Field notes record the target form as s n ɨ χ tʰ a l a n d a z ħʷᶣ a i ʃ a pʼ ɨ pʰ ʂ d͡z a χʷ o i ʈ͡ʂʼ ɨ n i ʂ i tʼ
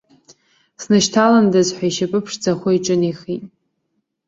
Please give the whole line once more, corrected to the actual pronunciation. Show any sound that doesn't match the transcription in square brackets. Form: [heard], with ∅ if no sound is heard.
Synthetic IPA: s n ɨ [ʃ] tʰ a l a n d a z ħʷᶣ a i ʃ a pʼ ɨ pʰ ʂ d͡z a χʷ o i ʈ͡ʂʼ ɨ n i [χ] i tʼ